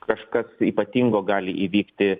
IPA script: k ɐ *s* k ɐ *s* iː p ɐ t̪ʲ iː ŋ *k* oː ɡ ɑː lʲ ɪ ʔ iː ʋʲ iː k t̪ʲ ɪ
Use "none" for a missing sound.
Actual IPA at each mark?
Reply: ʃ, s, ɡ

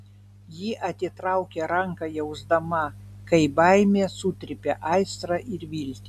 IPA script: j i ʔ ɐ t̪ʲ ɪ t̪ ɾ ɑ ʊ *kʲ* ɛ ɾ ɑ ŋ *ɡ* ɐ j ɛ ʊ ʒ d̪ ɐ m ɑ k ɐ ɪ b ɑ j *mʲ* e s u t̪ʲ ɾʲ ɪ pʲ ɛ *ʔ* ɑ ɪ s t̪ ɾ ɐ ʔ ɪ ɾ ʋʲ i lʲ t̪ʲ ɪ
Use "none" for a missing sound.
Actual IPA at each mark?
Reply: kʲ, k, mʲ, ʔ

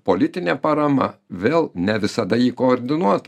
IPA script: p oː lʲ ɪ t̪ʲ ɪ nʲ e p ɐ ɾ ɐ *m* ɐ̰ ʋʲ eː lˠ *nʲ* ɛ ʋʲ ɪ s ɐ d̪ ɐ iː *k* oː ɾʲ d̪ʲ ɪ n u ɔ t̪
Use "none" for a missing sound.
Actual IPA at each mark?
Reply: m, nʲ, k

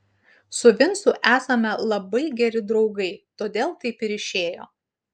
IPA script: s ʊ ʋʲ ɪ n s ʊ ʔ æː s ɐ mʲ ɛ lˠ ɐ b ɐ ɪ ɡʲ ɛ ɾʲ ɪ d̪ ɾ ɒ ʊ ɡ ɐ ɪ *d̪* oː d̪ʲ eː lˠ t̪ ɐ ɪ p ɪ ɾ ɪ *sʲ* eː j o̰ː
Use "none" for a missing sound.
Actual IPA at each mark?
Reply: t̪, ʃʲ

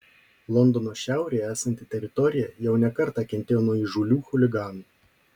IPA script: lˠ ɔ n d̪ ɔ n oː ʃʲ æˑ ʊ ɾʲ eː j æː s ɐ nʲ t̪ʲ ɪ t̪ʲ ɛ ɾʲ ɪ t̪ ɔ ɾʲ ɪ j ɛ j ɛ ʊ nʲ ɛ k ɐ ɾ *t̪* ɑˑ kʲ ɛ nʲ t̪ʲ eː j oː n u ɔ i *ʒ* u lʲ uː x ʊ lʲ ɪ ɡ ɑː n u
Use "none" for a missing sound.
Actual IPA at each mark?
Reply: t̪, ʒ

